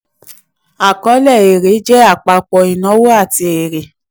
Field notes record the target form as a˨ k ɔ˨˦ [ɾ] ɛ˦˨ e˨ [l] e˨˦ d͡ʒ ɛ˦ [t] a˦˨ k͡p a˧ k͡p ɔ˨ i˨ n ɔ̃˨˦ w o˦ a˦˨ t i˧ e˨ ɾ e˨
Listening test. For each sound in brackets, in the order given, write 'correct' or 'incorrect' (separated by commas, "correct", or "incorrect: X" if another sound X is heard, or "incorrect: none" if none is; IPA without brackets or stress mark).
incorrect: l, incorrect: ɾ, incorrect: none